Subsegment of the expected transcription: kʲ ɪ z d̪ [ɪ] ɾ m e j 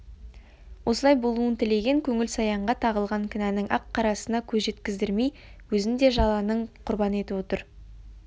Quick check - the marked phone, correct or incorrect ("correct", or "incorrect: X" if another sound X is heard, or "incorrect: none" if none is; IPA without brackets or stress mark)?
correct